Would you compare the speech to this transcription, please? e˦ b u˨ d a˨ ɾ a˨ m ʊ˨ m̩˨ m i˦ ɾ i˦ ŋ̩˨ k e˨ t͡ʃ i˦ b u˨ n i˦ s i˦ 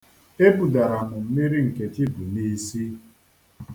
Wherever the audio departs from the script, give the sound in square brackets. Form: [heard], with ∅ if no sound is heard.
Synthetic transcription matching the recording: e˦ b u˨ d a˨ ɾ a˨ m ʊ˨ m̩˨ m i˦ ɾ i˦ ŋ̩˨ k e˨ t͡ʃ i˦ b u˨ n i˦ s i˦